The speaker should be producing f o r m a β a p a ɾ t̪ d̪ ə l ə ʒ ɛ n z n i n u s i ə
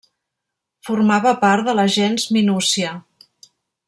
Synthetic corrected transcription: f u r m a β ə p a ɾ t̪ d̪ ə l ə ʒ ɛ n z m i n u s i ə